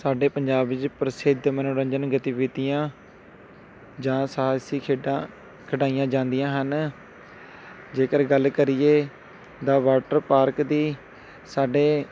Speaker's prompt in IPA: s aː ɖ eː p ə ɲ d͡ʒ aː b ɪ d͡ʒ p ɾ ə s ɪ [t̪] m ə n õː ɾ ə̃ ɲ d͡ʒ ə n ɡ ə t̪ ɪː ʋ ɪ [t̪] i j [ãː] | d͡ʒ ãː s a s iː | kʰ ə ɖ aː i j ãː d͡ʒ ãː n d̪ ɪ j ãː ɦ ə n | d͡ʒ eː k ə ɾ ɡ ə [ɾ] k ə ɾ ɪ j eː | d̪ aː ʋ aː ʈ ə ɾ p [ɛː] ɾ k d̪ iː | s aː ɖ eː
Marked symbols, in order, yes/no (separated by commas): no, yes, yes, no, no